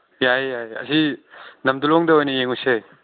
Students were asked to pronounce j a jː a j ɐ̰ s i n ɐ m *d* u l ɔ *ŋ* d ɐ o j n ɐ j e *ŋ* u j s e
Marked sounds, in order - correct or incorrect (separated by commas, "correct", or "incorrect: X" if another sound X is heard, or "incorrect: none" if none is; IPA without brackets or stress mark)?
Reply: correct, correct, correct